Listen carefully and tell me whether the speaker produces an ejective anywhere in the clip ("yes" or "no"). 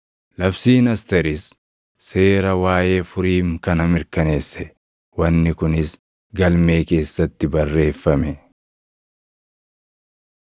no